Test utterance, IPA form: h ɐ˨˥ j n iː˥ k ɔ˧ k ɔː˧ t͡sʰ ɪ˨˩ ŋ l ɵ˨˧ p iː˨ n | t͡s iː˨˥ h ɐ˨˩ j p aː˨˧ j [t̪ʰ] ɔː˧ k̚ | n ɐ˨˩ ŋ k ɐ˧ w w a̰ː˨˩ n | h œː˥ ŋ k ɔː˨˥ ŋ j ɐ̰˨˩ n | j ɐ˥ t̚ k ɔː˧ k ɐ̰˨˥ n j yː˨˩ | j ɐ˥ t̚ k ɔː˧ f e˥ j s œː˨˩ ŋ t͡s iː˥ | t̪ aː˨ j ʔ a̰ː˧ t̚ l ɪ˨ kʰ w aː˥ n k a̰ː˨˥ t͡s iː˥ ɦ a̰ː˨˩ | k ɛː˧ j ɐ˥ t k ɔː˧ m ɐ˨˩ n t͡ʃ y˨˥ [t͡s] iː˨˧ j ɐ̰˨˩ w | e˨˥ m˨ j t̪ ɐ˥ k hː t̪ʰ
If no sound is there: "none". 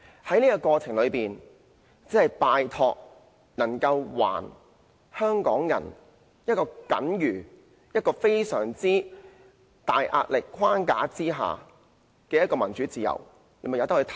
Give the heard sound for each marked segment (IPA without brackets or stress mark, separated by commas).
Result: t̪ʰ, t͡s